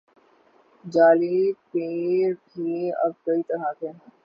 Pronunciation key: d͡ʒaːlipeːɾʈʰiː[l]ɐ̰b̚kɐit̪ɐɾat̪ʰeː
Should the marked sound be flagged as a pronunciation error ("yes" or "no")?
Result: yes